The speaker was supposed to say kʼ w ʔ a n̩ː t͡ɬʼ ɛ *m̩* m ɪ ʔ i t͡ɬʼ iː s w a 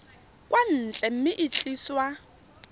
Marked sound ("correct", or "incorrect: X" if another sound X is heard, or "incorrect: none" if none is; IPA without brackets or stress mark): correct